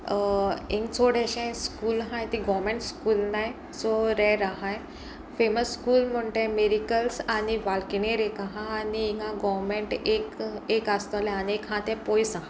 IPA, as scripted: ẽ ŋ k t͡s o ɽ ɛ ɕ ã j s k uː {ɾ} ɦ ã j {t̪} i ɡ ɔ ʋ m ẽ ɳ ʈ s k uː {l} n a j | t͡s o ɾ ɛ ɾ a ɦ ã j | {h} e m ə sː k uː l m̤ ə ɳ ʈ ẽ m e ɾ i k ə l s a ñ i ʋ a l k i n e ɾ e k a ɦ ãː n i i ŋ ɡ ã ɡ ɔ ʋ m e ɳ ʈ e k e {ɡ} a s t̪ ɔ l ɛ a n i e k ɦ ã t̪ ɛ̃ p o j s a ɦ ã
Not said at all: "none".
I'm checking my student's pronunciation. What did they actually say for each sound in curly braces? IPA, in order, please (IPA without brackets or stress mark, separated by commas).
l, t̪, l, f, k